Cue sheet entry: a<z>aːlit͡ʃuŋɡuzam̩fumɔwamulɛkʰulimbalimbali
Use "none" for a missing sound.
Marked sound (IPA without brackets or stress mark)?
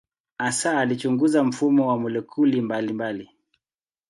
s